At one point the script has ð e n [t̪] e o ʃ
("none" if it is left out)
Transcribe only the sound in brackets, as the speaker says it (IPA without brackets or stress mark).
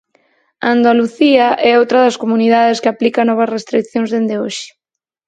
d̪